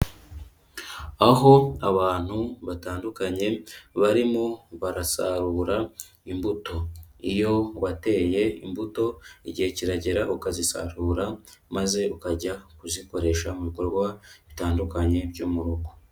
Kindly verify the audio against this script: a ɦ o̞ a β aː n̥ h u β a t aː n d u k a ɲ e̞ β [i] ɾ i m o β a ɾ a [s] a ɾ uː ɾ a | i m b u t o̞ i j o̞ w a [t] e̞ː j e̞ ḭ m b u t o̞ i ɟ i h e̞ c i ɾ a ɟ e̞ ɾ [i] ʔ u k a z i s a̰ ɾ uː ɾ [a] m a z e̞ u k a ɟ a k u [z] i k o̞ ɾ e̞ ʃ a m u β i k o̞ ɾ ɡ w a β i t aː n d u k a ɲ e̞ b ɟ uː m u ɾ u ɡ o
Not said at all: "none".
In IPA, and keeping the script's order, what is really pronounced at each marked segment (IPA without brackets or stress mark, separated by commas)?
a, s, t, a, a, z